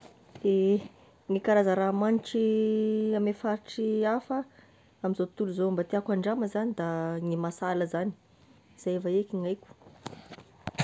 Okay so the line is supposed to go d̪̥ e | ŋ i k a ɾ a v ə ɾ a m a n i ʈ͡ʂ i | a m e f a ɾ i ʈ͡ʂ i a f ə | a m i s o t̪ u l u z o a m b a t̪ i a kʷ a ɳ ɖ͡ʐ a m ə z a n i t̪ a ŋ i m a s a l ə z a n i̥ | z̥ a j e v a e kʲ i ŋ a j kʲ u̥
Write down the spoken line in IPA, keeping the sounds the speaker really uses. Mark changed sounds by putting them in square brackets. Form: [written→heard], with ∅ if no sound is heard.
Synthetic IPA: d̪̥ e | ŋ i k a ɾ a [v→z] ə ɾ a m a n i ʈ͡ʂ i | a m e f a ɾ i ʈ͡ʂ i a f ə | a m i [s→z] o t̪ u l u z o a m b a t̪ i a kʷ a ɳ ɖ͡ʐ a m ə z a n i [t̪→d̪] a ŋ i m a s a l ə z a n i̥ | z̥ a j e v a e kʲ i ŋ a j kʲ u̥